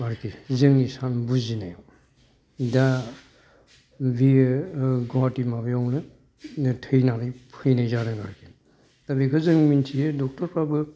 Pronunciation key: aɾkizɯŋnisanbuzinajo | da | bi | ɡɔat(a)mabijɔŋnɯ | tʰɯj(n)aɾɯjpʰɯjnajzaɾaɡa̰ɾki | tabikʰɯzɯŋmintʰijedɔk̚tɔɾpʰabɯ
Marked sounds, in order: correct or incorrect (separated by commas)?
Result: incorrect, correct